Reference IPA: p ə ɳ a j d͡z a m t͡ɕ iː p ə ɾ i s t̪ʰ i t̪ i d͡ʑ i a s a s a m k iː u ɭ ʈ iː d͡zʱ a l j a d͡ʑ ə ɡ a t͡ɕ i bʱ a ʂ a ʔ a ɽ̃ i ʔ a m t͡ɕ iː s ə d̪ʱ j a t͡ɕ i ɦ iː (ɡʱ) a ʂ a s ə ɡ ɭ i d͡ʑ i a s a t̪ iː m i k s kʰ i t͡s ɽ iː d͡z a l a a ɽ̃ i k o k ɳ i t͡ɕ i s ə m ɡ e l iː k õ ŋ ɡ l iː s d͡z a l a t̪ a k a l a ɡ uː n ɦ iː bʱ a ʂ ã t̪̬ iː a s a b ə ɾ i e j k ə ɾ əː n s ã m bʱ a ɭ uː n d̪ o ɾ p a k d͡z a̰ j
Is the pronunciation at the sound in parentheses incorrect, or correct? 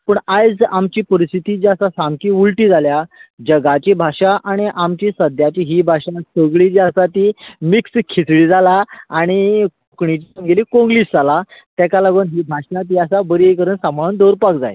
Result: incorrect